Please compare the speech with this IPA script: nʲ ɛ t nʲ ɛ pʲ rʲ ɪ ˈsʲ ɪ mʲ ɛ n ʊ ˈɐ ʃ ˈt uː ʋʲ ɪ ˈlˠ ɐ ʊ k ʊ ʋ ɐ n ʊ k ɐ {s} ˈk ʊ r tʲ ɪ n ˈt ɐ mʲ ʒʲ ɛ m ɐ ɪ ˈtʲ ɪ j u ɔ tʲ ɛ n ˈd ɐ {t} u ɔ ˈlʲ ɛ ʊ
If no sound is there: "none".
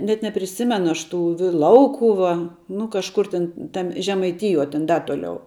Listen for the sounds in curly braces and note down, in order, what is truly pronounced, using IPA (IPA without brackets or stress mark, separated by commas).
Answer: ʃ, t